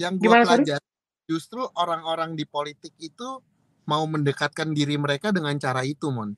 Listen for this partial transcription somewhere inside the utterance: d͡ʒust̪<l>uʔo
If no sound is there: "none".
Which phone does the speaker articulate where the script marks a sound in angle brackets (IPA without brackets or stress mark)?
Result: ɾ